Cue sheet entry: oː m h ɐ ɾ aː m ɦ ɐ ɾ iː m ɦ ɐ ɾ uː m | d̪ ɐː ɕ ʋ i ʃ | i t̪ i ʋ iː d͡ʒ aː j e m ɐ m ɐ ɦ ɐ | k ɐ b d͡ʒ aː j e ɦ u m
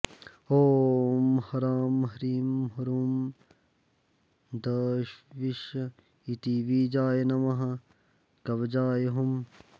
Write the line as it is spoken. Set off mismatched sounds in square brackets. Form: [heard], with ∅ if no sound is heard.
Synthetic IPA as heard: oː m h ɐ ɾ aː m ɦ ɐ ɾ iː m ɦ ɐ ɾ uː m | d̪ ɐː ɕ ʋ i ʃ | i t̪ i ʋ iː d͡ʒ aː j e [n] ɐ m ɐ ɦ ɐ | k ɐ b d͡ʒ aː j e ɦ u m